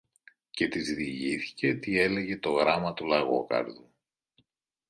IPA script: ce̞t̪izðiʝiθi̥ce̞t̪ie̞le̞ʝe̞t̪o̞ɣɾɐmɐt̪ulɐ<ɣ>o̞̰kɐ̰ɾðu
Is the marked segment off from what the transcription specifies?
no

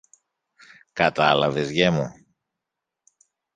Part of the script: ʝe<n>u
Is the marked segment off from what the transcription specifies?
yes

